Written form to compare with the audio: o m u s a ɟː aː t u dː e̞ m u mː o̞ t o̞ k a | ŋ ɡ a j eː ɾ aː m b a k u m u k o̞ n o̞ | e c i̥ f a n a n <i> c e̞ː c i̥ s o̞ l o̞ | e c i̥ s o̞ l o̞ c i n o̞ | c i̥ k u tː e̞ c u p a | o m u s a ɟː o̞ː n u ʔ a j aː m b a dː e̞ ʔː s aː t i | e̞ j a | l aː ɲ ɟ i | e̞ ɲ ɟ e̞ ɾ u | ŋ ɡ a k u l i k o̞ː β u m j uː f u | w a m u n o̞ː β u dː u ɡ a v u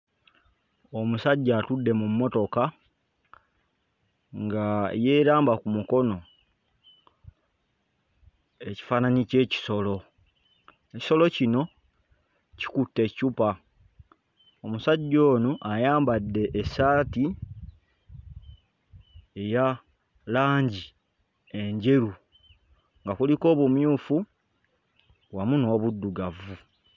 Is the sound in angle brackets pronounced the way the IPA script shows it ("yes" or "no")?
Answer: yes